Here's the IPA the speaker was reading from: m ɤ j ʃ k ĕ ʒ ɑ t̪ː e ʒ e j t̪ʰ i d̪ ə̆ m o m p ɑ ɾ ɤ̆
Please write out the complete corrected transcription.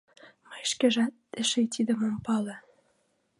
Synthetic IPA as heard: m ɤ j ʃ k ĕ ʒ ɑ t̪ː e ʃ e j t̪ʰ i d̪ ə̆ m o m p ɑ l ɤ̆